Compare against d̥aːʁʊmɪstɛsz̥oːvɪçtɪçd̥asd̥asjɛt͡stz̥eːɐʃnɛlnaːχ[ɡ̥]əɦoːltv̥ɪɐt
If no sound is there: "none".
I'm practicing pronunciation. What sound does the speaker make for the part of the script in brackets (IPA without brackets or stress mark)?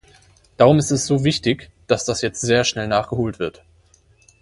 ɡ̥